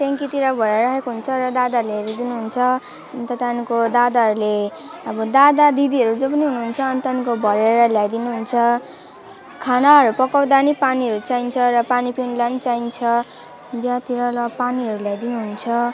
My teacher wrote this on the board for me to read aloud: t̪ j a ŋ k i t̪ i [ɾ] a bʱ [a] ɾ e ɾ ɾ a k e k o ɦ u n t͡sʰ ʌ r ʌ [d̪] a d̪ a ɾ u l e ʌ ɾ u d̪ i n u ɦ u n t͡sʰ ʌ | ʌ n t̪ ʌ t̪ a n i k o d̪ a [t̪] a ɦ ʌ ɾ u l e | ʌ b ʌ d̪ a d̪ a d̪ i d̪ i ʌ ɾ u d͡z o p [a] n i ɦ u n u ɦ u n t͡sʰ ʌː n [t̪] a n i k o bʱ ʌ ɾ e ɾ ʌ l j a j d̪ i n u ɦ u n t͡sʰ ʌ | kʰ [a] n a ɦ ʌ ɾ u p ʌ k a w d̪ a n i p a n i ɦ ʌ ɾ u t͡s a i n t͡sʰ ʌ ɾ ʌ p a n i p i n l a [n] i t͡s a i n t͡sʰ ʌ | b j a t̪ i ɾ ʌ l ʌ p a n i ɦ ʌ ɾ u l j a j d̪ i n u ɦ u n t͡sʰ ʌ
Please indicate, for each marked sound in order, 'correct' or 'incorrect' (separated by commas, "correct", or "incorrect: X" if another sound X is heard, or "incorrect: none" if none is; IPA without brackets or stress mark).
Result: correct, incorrect: ʌ, correct, incorrect: d̪, incorrect: ʌ, correct, correct, correct